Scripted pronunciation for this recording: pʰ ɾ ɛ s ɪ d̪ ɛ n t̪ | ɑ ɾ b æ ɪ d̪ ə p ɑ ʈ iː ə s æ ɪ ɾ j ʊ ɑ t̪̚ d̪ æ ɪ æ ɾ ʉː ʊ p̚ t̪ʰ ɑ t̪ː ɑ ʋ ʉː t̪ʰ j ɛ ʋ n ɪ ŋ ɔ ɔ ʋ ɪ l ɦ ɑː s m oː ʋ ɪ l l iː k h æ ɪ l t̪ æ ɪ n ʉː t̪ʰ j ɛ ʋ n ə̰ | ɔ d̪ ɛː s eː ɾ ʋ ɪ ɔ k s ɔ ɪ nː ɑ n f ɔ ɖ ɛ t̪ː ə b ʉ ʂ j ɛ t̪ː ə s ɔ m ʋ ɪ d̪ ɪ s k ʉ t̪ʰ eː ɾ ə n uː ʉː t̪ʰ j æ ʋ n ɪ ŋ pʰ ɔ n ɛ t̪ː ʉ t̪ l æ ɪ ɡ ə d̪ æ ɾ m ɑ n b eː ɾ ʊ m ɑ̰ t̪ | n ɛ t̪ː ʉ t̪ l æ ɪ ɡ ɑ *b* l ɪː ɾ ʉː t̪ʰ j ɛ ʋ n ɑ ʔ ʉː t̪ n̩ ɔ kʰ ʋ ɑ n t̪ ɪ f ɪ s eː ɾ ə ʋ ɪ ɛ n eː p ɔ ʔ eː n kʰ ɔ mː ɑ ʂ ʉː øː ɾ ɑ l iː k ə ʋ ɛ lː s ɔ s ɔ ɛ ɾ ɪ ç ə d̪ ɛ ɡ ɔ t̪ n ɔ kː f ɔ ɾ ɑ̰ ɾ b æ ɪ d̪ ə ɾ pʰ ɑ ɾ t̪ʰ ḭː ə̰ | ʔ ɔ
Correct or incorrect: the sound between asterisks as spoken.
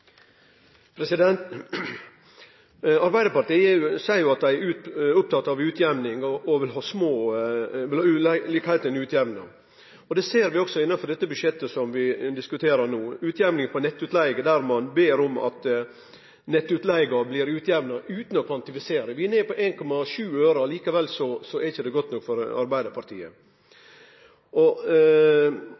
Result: correct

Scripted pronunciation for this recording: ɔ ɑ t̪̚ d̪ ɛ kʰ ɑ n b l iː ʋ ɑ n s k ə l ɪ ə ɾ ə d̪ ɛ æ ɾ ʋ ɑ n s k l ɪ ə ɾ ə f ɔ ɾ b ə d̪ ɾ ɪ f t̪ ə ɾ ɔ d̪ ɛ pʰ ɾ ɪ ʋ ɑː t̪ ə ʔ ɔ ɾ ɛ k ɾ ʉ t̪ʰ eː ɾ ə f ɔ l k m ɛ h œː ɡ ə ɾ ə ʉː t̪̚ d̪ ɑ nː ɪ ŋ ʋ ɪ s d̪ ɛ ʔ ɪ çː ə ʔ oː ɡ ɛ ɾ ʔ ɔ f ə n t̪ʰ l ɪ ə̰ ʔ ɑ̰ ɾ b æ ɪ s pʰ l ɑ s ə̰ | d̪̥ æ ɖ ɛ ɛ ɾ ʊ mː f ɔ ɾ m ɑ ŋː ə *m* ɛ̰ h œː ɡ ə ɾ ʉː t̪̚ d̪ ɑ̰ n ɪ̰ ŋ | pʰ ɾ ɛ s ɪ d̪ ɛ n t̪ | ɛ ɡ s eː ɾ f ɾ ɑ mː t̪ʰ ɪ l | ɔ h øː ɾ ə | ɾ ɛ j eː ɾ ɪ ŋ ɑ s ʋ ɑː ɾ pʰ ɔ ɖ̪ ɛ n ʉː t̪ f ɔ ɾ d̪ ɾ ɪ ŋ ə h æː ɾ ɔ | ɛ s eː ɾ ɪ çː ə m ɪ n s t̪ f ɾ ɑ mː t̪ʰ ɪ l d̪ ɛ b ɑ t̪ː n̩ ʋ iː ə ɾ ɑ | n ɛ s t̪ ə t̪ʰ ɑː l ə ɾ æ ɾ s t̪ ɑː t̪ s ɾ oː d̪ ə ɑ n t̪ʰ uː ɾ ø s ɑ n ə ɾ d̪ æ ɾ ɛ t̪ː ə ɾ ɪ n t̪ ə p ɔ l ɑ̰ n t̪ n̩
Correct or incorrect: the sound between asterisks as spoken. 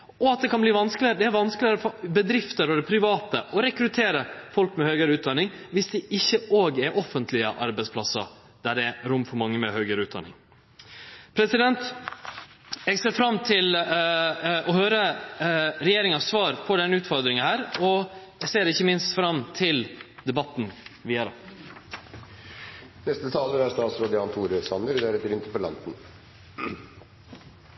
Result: correct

